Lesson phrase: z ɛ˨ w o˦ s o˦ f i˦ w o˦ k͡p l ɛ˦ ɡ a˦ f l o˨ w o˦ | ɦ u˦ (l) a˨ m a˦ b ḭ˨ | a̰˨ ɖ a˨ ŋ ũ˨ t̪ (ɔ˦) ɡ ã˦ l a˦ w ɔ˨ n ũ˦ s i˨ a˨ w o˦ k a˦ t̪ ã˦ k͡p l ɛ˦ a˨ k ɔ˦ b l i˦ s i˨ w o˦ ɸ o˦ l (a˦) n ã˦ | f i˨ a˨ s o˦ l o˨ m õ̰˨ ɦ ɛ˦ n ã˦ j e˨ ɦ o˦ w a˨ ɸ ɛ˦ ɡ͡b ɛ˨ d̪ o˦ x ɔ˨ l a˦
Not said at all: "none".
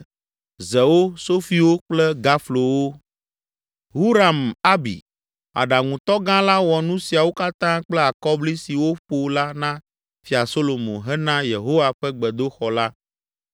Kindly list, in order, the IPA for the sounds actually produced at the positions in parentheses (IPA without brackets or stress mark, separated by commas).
ɾ, ɔ˦, a˦